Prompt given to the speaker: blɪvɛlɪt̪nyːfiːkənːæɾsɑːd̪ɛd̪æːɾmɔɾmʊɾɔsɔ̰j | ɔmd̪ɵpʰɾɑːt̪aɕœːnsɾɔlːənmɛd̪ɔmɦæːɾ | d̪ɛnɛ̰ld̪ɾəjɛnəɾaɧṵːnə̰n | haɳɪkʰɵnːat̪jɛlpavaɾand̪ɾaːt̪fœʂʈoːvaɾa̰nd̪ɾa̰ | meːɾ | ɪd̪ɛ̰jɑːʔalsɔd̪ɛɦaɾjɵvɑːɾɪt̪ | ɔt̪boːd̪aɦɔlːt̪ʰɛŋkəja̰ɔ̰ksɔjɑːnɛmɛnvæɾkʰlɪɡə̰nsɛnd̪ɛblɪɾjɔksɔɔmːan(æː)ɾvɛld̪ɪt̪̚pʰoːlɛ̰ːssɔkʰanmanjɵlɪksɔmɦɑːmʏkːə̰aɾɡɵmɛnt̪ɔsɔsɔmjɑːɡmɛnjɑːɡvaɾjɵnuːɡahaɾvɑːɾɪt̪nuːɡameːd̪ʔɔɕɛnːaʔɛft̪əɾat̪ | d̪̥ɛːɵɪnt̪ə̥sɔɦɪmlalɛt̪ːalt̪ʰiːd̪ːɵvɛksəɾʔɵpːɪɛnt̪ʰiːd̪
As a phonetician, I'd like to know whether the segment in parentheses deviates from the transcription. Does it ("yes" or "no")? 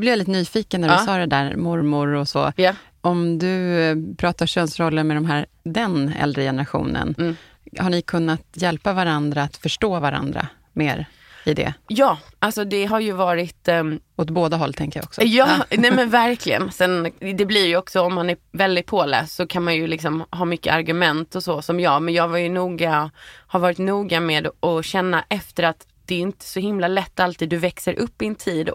yes